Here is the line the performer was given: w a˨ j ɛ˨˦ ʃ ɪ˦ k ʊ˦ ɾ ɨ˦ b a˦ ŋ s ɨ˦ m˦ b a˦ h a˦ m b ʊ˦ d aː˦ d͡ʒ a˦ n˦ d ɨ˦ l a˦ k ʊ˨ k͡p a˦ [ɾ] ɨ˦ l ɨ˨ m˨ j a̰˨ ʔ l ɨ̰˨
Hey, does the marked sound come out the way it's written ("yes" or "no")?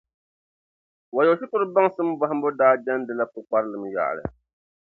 yes